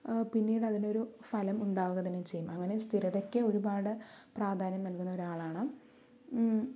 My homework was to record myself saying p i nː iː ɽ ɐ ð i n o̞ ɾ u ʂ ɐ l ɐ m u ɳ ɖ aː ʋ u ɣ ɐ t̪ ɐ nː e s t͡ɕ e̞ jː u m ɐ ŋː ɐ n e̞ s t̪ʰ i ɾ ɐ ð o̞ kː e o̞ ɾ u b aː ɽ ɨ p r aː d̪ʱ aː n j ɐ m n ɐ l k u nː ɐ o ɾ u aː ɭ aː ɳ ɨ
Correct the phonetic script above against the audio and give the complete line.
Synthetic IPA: p i nː iː ɽ ɐ ð i n o̞ ɾ u f ɐ l ɐ m u ɳ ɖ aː ʋ u ɣ ɐ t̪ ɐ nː e t͡ɕ e̞ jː u m ɐ ŋː ɐ n e̞ s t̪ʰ i ɾ ɐ ð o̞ kː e o̞ ɾ u b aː ɽ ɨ p r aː d̪ʱ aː n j ɐ m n ɐ l k u nː ɐ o ɾ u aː ɭ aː ɳ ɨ